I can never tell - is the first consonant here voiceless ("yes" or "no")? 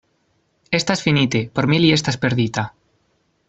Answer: yes